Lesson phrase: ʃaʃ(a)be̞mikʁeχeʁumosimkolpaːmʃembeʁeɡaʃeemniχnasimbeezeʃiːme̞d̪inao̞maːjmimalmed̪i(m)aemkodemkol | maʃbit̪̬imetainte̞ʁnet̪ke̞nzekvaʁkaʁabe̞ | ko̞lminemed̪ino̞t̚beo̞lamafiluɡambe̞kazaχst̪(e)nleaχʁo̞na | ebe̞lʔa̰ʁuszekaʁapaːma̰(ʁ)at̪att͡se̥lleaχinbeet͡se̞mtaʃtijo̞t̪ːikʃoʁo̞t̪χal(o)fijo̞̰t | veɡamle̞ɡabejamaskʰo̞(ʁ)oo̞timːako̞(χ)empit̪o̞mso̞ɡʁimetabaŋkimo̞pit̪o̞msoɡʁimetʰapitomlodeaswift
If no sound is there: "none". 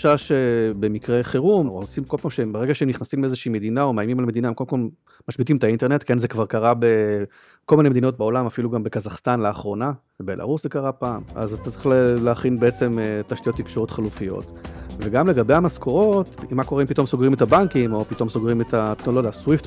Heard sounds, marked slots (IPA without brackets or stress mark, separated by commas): e, n, a, z, u, ʁ, ʁ